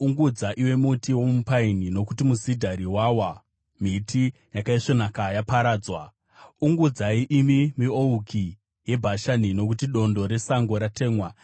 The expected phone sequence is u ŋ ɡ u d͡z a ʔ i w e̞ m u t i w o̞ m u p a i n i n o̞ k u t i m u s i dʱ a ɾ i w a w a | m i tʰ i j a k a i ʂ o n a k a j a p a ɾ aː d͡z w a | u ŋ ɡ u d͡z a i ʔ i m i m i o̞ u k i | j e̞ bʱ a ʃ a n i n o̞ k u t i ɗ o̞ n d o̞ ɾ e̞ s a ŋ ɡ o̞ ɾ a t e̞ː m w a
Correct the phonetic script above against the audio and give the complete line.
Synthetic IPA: u ŋ ɡ u d͡z a ʔ i w e̞ m u t i w o̞ m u p a i n i n o̞ k u t i m u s i dʱ a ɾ i w a w a | m i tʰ i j a k a i ʂ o n a k a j a p a ɾ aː d͡z w a | u ŋ ɡ u d͡z a i ʔ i m i m i o̞ u k i | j e̞ bʱ a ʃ a n i n o̞ k u t i ɗ o̞ n d o̞ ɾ e̞ s a ŋ ɡ o̞ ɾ a t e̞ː m w a